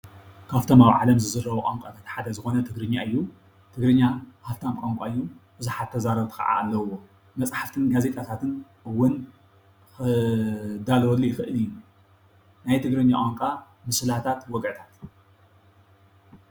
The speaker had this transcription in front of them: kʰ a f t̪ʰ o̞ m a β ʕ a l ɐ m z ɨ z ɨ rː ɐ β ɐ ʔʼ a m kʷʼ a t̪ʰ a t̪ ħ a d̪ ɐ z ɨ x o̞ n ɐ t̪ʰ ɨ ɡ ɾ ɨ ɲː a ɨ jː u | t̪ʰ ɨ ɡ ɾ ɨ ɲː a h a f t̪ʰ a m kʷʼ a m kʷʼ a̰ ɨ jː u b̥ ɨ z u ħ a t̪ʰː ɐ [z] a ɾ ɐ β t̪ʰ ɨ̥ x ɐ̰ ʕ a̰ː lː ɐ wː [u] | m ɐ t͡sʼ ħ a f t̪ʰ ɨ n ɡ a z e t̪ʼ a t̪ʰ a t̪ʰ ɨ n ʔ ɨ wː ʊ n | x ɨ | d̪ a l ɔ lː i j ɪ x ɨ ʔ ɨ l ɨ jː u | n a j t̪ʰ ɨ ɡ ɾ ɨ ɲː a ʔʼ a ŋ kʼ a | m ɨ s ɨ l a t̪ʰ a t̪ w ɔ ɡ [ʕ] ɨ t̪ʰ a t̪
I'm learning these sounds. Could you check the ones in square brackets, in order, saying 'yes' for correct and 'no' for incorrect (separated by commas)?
yes, no, yes